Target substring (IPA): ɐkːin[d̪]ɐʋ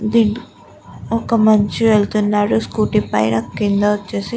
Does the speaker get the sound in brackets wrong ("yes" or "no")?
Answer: no